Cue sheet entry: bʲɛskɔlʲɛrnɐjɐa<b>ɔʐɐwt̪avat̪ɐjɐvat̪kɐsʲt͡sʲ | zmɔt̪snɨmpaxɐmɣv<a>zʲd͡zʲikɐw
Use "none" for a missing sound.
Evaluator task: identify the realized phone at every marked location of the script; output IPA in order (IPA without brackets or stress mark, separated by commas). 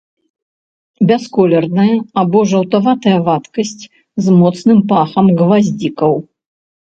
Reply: b, a